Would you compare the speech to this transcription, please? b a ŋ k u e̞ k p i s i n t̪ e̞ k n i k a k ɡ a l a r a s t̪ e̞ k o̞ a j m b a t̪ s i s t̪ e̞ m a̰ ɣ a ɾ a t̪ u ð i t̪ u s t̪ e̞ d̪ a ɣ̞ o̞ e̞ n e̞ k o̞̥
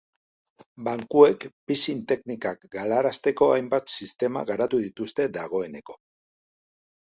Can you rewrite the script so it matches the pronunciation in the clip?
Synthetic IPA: b a ŋ k u e̞ k p i s i n t̪ e̞ k n i k a k ɡ a l a ɾ a s t̪ e̞ k o̞ a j m b a t̪ s i s t̪ e̞ m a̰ ɣ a ɾ a t̪ u ð i t̪ u s t̪ e̞ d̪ a ɣ̞ o̞ e̞ n e̞ k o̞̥